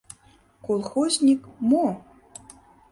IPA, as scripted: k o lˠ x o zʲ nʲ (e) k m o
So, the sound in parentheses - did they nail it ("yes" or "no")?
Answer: no